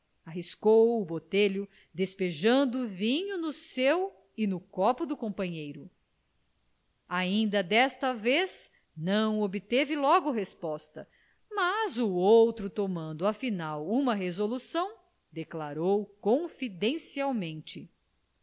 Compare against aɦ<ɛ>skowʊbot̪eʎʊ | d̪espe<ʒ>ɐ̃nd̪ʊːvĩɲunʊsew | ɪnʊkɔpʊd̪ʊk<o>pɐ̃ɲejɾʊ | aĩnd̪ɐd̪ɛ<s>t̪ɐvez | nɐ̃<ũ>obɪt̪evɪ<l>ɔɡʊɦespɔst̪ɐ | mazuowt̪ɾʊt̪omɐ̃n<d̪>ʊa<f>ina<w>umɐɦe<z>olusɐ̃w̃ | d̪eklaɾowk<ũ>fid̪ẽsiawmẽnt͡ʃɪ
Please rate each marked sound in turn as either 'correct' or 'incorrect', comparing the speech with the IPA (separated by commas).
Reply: incorrect, correct, incorrect, correct, incorrect, correct, correct, correct, correct, correct, incorrect